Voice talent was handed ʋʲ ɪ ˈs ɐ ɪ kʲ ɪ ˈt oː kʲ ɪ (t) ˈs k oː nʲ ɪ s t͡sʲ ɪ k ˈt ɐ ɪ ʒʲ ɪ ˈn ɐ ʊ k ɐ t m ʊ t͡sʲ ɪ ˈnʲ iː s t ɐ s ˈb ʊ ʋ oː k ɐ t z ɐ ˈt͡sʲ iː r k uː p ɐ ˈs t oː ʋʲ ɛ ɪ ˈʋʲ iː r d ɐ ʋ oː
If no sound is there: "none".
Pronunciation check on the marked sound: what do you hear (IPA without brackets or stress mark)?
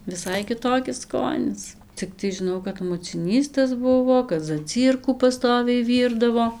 s